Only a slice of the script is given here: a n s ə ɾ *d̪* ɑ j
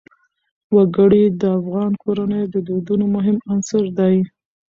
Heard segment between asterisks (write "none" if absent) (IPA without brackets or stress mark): d̪